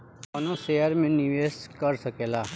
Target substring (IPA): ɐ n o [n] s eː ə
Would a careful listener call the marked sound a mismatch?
yes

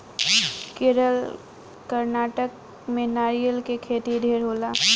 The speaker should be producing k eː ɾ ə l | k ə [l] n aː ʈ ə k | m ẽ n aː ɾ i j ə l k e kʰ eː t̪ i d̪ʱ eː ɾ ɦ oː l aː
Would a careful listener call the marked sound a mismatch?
yes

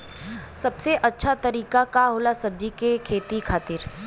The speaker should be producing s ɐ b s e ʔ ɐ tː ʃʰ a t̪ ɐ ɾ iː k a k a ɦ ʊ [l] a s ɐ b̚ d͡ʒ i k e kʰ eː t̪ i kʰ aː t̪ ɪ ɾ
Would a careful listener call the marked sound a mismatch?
no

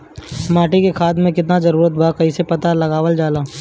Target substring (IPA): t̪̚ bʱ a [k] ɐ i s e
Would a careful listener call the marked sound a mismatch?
no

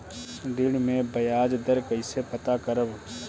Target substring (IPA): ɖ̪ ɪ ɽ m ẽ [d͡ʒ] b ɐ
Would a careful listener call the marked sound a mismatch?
yes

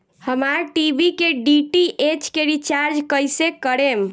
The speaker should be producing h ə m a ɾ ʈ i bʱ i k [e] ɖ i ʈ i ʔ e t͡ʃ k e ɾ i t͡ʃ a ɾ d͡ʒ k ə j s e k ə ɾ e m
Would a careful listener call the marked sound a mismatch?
no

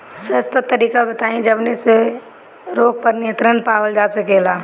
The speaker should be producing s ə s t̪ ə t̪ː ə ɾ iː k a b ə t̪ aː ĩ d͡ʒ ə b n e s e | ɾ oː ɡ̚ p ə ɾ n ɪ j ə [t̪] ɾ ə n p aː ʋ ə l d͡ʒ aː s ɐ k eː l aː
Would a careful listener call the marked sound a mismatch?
no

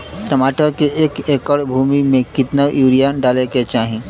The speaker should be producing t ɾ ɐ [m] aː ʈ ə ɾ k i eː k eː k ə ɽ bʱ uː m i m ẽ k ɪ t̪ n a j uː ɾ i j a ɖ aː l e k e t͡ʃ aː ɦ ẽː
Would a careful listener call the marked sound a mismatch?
no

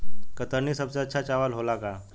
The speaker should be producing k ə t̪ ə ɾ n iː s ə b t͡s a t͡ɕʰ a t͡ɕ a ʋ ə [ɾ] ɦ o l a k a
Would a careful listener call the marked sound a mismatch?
yes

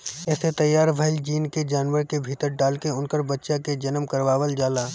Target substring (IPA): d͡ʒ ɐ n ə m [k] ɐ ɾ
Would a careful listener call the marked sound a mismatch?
no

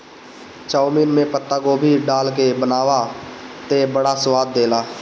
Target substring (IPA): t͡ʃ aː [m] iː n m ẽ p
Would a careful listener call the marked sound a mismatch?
no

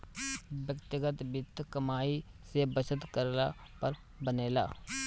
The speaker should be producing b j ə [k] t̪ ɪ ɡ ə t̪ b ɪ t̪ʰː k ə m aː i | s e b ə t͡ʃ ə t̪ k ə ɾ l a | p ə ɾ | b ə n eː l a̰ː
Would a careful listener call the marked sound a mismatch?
no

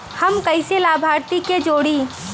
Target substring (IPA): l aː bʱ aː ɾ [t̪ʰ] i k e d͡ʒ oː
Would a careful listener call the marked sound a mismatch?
yes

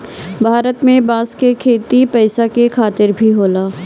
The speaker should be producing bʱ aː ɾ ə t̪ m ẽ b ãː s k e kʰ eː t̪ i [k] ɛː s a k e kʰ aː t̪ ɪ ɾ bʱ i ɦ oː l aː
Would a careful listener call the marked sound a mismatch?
yes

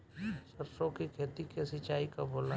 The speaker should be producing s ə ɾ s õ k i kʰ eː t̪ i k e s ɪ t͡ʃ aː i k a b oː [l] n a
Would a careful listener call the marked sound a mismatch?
no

